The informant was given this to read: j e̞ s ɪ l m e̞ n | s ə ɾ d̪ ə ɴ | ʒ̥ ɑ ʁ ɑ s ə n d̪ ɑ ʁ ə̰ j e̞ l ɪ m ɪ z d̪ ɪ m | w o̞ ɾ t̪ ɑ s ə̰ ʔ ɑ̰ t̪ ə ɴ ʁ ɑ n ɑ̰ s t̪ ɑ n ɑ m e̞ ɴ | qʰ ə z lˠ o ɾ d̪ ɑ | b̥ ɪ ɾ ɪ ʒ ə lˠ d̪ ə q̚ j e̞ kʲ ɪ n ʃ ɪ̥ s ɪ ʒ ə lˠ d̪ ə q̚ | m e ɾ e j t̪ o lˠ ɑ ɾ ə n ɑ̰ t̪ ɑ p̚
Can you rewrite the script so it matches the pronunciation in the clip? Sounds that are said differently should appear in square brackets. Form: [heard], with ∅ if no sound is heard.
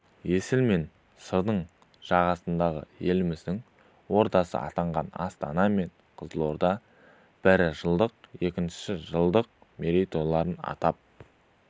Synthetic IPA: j e̞ s ɪ l m e̞ n | s ə ɾ d̪ ə ɴ | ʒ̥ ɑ ʁ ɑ s ə n d̪ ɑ ʁ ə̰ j e̞ l ɪ m ɪ z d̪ ɪ [ŋ] | w o̞ ɾ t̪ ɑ s ə̰ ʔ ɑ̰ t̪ [ɑ] ɴ ʁ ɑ n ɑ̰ s t̪ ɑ n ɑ m e̞ ɴ | qʰ ə z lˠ o ɾ d̪ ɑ | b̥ ɪ ɾ ɪ ʒ ə lˠ d̪ ə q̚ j e̞ kʲ ɪ n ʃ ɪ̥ s ɪ ʒ ə lˠ d̪ ə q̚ | m e ɾ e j t̪ o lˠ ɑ ɾ ə n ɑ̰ t̪ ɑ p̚

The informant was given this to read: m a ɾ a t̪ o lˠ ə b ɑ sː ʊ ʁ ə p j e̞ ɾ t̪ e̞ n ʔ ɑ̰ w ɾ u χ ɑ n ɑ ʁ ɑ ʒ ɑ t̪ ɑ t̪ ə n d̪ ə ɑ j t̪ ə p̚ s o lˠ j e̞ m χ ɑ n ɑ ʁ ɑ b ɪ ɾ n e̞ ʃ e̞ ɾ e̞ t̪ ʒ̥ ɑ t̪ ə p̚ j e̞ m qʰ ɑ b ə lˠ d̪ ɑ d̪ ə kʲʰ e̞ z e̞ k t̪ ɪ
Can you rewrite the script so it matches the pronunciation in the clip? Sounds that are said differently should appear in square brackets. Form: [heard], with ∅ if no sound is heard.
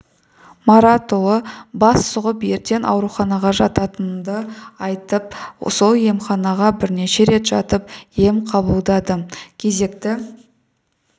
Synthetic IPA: m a ɾ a t̪ o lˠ ə b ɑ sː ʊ ʁ ə p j e̞ ɾ t̪ e̞ n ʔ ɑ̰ w ɾ u χ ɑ n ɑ ʁ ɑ ʒ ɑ t̪ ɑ t̪ ə n d̪ ə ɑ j t̪ ə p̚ s o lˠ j e̞ m χ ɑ n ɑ ʁ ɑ b ɪ ɾ n e̞ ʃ e̞ ɾ e̞ t̪ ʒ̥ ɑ t̪ ə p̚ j e̞ m qʰ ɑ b ə lˠ d̪ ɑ d̪ ə kʲʰ e̞ z e̞ k t̪ ɪ

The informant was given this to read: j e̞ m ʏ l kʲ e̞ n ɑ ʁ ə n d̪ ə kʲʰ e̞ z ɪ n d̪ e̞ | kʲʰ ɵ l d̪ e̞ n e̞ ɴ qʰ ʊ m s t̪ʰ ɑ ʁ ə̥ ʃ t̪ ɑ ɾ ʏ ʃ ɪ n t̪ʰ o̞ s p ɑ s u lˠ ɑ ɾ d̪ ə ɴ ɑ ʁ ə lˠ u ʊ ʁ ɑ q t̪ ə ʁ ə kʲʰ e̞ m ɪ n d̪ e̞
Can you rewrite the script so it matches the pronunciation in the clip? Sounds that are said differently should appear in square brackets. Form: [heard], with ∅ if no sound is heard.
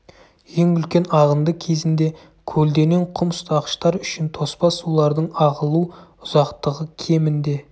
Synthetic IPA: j e̞ [ŋ] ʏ l kʲ e̞ n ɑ ʁ ə n d̪ ə kʲʰ e̞ z ɪ n d̪ e̞ | kʲʰ ɵ l d̪ e̞ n e̞ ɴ qʰ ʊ m s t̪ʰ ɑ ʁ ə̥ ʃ t̪ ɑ ɾ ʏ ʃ ɪ n t̪ʰ o̞ s p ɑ s u lˠ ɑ ɾ d̪ ə ɴ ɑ ʁ ə lˠ u ʊ [z] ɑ q t̪ ə ʁ ə kʲʰ e̞ m ɪ n d̪ e̞

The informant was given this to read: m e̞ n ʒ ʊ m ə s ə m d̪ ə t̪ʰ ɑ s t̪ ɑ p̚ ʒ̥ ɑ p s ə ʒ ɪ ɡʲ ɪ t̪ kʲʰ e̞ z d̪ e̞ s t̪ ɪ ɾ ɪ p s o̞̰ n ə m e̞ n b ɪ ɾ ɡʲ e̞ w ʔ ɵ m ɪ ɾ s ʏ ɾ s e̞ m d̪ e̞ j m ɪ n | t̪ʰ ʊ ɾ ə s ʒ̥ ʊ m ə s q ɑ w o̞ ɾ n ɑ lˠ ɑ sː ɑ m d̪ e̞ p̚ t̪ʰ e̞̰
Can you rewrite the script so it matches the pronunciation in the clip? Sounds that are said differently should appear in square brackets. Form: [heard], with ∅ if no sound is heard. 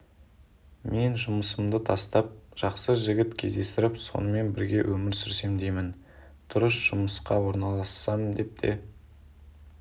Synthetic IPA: m e̞ n ʒ ʊ m ə s ə m d̪ ə t̪ʰ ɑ s t̪ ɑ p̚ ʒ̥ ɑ [q] s ə ʒ ɪ ɡʲ ɪ t̪ kʲʰ e̞ z d̪ e̞ s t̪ ɪ ɾ ɪ p s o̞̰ n ə m e̞ n b ɪ ɾ ɡʲ e̞ w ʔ ɵ m ɪ ɾ s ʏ ɾ s e̞ m d̪ e̞ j m ɪ n | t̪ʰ ʊ ɾ ə s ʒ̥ ʊ m ə s q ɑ w o̞ ɾ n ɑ lˠ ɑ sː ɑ m d̪ e̞ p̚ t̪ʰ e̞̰

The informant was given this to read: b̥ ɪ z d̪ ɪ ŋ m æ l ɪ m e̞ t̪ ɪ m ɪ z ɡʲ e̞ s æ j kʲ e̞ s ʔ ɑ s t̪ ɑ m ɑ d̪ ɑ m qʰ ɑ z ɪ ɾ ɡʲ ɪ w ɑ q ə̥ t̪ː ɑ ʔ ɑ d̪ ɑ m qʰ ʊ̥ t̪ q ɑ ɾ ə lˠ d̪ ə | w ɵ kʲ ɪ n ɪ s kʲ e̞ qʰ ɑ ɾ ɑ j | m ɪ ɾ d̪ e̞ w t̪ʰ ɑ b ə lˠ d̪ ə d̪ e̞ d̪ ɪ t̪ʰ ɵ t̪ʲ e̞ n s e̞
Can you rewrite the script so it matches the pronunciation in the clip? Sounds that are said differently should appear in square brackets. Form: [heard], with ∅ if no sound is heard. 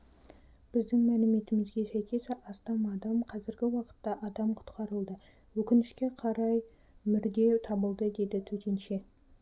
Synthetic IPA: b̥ ɪ z d̪ ɪ ŋ m æ l ɪ m e̞ t̪ ɪ m ɪ z ɡʲ e̞ s æ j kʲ e̞ s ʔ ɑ s t̪ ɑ m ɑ d̪ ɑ m qʰ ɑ z ɪ ɾ ɡʲ ɪ w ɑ q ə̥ t̪ː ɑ ʔ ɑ d̪ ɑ m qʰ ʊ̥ t̪ q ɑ ɾ ə lˠ d̪ ə | w ɵ kʲ ɪ n ɪ [ʃ] kʲ e̞ qʰ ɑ ɾ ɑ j | m ɪ ɾ d̪ e̞ w t̪ʰ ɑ b ə lˠ d̪ ə d̪ e̞ d̪ ɪ t̪ʰ ɵ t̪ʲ e̞ n [ʃ] e̞

